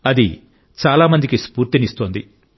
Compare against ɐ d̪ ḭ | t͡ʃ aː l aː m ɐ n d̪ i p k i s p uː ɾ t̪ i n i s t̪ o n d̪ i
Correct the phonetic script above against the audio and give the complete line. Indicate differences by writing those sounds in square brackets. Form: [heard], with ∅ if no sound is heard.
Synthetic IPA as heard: ɐ d̪ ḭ | t͡ʃ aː l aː m ɐ n d̪ i [∅] k i s p uː ɾ t̪ i n i s t̪ o n d̪ i